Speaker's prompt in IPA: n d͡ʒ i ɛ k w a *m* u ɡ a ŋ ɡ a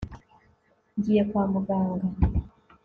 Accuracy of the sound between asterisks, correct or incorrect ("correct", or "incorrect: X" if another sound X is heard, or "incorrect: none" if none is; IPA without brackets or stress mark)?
correct